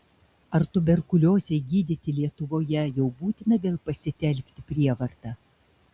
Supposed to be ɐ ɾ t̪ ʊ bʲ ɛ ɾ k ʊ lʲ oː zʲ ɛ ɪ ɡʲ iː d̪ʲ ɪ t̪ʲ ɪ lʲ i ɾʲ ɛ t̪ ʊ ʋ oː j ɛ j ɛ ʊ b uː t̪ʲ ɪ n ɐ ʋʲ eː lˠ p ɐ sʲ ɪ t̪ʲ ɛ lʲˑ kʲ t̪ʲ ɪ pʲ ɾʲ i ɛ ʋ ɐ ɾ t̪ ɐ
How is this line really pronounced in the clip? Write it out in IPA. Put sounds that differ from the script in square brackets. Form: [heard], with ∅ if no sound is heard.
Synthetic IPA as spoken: ɐ ɾ t̪ ʊ bʲ ɛ ɾ k ʊ lʲ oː zʲ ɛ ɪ ɡʲ iː d̪ʲ ɪ t̪ʲ ɪ lʲ i [∅] ɛ t̪ ʊ ʋ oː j ɛ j ɛ ʊ b uː t̪ʲ ɪ n ɐ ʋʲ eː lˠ p ɐ sʲ ɪ t̪ʲ ɛ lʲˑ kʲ t̪ʲ ɪ pʲ ɾʲ i ɛ ʋ ɐ ɾ t̪ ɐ